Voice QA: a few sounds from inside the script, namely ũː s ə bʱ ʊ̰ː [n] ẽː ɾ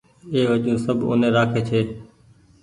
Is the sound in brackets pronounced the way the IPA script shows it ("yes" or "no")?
yes